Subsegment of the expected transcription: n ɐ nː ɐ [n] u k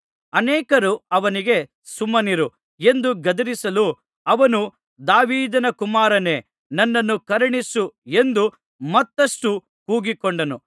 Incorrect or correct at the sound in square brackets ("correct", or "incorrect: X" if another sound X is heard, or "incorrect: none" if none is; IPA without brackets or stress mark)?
incorrect: nː